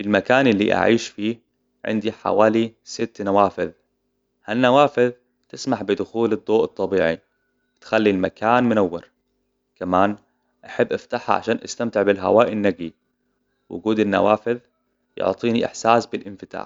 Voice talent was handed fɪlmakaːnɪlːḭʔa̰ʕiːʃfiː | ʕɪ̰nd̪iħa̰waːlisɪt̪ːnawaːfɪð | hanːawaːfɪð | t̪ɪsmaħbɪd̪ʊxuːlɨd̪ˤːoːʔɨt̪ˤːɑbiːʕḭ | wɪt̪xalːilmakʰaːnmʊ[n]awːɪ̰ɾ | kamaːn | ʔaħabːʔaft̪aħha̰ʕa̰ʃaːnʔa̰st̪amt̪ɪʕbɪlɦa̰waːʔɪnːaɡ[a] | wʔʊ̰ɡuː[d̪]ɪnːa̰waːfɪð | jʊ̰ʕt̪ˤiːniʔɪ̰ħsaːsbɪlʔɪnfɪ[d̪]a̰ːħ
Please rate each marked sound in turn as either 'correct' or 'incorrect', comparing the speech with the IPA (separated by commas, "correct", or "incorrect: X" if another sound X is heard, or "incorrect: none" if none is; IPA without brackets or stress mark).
correct, incorrect: i, correct, incorrect: t̪